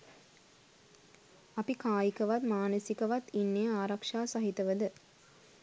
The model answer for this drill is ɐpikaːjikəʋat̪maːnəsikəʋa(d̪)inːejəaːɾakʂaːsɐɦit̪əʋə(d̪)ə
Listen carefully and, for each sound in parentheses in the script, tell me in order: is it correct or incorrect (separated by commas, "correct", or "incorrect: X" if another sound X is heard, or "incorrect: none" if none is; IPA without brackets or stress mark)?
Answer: incorrect: t̪, correct